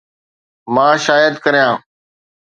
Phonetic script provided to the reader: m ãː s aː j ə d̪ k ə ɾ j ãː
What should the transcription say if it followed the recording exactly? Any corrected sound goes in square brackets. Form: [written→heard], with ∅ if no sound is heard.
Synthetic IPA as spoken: m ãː [s→ʃ] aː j ə d̪ k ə ɾ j ãː